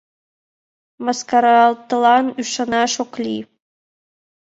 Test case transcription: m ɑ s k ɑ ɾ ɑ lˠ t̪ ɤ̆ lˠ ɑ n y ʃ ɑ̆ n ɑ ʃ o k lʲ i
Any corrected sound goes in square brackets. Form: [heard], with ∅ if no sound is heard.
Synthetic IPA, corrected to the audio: m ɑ s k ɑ ɾ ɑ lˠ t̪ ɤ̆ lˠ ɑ n y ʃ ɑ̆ n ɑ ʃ o k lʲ i